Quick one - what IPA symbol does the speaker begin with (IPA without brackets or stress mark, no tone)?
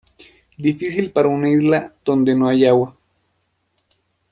d̪